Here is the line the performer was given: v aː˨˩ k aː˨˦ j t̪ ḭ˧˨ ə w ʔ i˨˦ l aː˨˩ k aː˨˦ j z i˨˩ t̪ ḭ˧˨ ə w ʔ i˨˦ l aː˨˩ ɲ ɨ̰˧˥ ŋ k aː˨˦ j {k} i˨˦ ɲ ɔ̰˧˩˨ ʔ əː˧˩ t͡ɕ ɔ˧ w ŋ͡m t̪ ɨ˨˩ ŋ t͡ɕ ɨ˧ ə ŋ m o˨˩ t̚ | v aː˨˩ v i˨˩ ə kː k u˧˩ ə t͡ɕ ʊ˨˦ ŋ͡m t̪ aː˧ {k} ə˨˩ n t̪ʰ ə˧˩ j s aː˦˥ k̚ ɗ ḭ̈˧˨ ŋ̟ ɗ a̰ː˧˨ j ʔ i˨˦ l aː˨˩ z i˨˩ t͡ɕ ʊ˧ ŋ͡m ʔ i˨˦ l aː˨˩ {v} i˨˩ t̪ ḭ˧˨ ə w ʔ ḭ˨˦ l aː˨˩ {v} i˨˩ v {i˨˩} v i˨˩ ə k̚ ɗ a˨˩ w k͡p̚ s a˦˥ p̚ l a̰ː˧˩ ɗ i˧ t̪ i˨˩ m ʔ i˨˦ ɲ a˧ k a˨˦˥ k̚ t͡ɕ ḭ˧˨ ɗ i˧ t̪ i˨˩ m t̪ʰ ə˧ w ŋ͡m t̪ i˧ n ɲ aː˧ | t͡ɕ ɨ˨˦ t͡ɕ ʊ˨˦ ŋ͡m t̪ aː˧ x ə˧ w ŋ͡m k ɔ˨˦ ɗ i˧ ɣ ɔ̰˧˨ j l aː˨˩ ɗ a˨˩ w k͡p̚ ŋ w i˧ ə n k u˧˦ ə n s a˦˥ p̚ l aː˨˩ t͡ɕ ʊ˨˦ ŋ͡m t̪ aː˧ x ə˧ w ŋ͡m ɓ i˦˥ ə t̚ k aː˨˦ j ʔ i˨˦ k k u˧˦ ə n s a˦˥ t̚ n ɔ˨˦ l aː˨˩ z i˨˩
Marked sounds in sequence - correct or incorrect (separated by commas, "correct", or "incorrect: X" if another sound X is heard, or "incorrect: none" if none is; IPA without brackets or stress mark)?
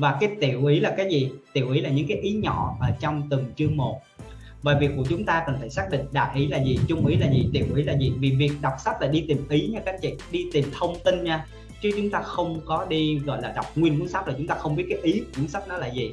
incorrect: ʔ, correct, incorrect: z, incorrect: z, correct